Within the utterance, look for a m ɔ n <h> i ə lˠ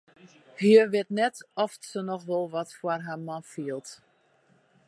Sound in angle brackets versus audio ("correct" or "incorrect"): incorrect